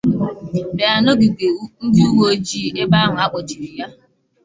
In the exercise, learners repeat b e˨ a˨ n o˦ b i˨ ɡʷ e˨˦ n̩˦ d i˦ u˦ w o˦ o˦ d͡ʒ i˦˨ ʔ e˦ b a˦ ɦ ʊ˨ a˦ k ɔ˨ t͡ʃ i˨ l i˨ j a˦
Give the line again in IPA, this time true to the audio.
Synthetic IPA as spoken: b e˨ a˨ n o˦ ɡ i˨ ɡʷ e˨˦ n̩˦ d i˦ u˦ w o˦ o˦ d͡ʒ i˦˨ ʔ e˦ b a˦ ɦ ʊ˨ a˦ k͡p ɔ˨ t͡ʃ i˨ ɾ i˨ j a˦